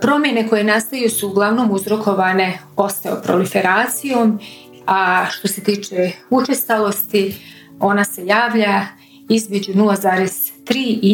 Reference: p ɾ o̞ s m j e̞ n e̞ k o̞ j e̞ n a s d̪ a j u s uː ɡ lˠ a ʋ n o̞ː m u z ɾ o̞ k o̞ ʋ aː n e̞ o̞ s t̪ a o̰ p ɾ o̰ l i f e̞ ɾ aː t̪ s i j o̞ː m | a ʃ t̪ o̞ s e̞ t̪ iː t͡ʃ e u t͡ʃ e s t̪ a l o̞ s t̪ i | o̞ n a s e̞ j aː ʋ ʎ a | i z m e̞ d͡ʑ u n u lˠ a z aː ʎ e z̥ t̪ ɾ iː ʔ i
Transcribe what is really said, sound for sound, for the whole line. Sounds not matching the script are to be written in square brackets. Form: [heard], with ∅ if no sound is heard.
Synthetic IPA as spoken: p ɾ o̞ [∅] m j e̞ n e̞ k o̞ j e̞ n a s [t̪] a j u s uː ɡ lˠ a ʋ n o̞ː m u z ɾ o̞ k o̞ ʋ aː n e̞ o̞ s t̪ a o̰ p ɾ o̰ l i f e̞ ɾ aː t̪ s i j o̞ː m | a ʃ t̪ o̞ s e̞ t̪ iː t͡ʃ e u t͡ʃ e s t̪ a l o̞ s t̪ i | o̞ n a s e̞ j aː ʋ ʎ a | i z m e̞ d͡ʑ u n u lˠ a z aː [ɾ] e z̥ t̪ ɾ iː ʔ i